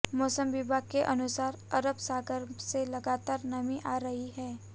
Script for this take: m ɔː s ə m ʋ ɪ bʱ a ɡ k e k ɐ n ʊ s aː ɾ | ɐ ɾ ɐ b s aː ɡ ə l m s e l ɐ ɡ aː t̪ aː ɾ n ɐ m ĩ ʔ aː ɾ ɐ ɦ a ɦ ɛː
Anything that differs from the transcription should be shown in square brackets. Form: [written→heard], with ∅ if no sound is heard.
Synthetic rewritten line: m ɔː s ə m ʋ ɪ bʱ a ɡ k e [k→ʔ] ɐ n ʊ s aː ɾ | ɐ ɾ [ɐ→ə] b s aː ɡ ə [l→ɾ] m s e l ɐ ɡ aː t̪ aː ɾ n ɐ m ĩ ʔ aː ɾ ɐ ɦ [a→i] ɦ ɛː